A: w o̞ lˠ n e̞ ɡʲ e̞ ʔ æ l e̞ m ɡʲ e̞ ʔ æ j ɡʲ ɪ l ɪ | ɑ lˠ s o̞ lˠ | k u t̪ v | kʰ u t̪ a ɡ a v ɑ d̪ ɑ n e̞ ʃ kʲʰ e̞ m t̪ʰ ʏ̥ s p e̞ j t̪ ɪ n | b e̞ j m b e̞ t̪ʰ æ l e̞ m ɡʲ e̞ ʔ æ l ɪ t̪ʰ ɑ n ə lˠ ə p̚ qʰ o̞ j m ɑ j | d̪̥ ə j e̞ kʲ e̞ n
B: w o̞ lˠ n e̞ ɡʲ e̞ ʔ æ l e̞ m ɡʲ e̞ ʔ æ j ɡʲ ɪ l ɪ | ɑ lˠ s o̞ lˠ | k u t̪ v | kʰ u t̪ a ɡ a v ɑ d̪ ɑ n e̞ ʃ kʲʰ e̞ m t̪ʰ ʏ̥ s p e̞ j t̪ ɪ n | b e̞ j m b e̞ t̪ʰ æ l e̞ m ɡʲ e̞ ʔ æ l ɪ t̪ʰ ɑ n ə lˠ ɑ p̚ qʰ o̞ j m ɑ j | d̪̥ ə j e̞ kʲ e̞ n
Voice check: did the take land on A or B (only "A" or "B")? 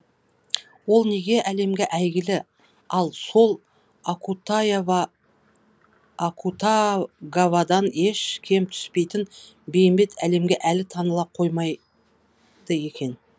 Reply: B